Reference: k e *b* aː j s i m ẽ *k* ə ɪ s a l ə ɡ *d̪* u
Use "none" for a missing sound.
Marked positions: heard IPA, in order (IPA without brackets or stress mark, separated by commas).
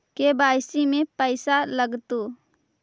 b, p, t̪